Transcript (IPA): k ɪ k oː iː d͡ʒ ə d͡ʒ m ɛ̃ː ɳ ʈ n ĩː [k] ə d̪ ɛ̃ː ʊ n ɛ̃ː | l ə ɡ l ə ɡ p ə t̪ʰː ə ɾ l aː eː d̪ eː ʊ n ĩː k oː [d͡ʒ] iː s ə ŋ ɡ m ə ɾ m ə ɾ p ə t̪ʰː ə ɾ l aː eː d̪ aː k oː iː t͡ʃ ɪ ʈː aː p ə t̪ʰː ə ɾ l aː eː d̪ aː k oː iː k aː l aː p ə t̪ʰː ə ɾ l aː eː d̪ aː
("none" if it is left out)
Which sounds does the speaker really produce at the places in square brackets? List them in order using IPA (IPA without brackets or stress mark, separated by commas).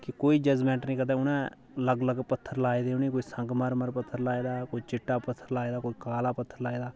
k, none